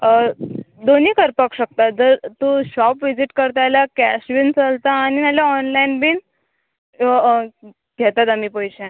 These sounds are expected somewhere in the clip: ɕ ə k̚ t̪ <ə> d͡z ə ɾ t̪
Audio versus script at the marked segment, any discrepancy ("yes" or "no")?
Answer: yes